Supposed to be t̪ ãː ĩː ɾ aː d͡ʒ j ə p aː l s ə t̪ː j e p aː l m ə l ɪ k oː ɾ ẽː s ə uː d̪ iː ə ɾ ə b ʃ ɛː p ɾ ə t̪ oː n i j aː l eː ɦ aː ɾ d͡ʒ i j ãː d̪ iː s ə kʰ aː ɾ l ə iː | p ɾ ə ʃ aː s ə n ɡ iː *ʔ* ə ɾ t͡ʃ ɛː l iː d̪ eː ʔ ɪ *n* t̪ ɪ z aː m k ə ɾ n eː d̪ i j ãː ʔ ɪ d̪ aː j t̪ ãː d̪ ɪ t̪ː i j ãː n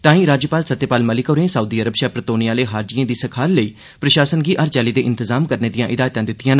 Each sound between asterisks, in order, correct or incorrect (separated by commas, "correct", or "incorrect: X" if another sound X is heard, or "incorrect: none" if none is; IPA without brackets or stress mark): correct, correct